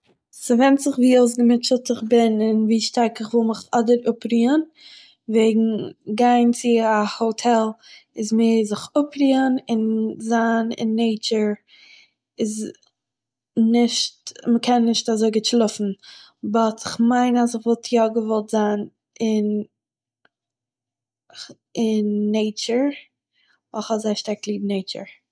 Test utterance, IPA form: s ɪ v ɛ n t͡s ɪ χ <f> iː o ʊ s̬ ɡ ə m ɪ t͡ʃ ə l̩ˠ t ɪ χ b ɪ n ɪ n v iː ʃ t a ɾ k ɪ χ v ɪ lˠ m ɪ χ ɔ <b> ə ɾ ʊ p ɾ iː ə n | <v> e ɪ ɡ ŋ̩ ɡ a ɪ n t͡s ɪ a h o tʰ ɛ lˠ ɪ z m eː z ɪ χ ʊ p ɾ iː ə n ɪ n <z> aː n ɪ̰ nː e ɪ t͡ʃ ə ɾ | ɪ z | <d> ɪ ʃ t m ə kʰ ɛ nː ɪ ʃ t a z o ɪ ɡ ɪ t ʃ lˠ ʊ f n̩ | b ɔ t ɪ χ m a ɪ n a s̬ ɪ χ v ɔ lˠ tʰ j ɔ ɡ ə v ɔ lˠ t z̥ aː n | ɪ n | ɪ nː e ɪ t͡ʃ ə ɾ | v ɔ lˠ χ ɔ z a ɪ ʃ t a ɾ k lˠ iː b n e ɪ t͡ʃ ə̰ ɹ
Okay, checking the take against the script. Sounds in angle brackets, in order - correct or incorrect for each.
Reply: incorrect: v, incorrect: d, correct, correct, incorrect: n

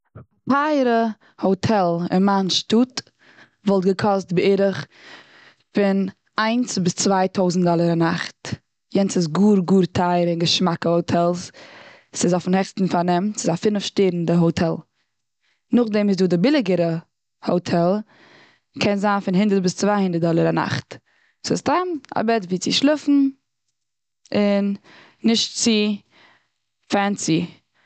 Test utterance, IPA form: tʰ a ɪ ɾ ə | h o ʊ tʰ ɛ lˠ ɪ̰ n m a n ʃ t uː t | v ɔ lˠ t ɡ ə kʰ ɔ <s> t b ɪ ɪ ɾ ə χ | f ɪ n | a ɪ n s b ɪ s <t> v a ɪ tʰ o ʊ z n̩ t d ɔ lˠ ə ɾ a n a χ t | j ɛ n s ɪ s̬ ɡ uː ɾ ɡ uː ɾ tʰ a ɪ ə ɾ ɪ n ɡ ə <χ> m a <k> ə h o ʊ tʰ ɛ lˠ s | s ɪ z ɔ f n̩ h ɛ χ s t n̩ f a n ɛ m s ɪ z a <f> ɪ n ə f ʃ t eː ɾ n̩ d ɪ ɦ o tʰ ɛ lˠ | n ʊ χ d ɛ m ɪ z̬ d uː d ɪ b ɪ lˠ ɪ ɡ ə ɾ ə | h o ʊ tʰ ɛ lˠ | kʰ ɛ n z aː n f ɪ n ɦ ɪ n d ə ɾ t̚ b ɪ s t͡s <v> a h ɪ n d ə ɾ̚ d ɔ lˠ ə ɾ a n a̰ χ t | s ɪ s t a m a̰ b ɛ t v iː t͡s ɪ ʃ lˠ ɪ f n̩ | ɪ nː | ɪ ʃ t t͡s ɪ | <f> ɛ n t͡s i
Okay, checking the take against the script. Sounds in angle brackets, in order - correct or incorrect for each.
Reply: correct, incorrect: t͡s, incorrect: ʃ, correct, correct, correct, correct

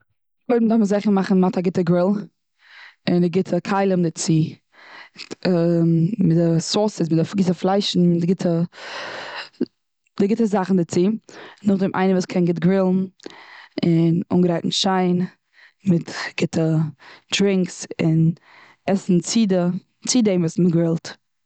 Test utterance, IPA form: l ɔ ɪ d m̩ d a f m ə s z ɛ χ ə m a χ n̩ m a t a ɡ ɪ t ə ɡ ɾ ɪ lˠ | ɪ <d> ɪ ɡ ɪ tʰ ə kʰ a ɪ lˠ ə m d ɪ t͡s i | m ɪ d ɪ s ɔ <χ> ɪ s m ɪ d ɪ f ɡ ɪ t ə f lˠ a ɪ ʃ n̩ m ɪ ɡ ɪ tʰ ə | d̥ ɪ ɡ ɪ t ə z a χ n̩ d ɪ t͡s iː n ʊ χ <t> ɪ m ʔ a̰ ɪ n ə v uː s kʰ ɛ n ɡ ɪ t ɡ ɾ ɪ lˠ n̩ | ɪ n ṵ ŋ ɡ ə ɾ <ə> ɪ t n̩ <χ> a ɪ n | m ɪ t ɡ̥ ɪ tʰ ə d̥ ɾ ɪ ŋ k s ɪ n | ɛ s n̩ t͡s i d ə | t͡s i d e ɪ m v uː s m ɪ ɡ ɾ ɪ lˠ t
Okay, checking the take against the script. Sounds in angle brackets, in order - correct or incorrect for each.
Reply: incorrect: n, incorrect: s, incorrect: d, incorrect: a, incorrect: ʃ

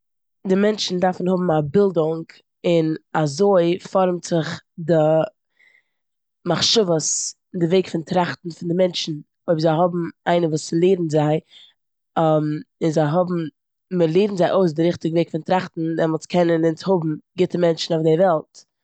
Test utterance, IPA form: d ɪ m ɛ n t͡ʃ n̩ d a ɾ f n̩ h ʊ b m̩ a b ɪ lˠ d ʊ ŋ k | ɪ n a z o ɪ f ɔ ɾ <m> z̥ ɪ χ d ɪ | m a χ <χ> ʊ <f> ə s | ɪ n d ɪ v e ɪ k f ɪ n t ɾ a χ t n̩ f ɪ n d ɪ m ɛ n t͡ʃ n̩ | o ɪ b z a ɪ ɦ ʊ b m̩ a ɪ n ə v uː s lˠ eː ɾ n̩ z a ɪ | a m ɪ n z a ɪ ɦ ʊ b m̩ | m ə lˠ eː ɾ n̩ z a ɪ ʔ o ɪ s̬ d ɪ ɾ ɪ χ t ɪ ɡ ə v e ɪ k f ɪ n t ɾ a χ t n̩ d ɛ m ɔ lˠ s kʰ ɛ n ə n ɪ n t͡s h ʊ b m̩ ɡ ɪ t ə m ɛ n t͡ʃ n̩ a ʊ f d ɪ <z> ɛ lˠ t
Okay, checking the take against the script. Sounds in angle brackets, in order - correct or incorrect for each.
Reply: correct, incorrect: ʃ, incorrect: v, incorrect: v

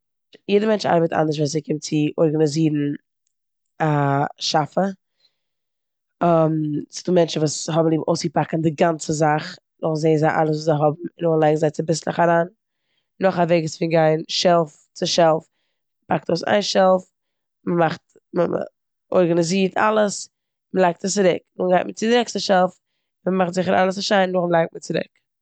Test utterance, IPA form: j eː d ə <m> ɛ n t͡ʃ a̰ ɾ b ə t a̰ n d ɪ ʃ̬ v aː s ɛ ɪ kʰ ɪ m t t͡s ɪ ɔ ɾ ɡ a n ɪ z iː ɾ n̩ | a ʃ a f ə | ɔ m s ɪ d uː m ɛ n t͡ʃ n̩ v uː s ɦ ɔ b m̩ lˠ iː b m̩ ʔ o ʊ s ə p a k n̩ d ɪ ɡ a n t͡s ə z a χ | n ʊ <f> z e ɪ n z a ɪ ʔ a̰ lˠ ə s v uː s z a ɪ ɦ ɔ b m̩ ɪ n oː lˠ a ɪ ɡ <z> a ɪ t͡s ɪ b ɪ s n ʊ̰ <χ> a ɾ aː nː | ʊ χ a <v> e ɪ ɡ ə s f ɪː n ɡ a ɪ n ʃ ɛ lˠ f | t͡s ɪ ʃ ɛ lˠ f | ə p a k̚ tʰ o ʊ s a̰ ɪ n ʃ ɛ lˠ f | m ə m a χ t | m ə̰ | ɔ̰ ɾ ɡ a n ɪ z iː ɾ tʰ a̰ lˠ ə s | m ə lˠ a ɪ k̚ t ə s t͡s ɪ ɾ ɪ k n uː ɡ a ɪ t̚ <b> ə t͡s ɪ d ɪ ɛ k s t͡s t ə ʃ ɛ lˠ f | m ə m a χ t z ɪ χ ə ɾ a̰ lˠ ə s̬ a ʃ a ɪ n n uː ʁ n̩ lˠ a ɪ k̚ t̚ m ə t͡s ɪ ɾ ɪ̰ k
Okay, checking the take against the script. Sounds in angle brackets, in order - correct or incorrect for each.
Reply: correct, incorrect: χ, correct, correct, correct, incorrect: m

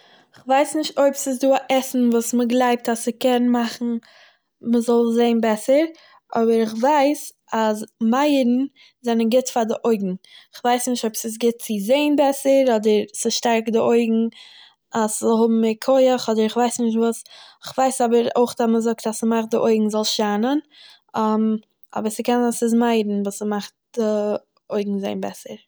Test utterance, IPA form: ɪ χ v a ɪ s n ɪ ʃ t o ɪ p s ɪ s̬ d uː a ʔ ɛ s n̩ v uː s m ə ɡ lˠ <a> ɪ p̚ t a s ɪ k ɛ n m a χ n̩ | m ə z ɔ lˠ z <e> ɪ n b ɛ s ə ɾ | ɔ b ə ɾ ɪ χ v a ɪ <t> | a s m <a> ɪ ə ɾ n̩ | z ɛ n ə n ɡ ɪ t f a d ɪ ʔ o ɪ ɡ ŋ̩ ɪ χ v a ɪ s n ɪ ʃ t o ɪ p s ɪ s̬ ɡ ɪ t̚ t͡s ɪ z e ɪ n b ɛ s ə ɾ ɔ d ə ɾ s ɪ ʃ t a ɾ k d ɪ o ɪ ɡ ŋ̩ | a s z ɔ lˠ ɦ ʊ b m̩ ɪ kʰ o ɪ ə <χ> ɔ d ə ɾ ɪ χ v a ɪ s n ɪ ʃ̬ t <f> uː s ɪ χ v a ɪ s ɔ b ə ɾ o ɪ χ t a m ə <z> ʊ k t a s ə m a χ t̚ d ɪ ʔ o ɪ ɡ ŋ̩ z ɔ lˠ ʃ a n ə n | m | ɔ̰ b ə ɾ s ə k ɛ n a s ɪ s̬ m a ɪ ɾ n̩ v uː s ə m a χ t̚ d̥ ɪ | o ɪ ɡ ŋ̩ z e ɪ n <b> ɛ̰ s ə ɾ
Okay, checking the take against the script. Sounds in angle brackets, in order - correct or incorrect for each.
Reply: correct, correct, incorrect: s, correct, correct, incorrect: v, correct, correct

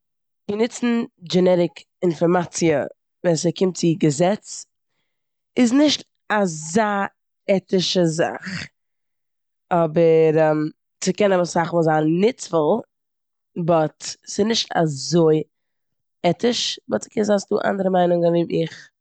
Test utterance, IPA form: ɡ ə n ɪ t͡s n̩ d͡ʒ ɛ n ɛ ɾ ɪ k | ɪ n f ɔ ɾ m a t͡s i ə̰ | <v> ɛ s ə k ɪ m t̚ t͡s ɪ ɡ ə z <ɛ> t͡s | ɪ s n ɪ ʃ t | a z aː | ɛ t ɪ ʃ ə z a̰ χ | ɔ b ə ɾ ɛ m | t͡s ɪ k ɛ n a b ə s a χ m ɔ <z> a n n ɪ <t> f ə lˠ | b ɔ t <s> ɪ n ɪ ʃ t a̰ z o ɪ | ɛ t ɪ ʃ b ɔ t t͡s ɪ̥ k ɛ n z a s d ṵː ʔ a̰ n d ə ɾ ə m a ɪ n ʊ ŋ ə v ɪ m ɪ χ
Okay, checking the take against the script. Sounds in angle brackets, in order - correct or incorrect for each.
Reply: correct, correct, correct, incorrect: t͡s, correct

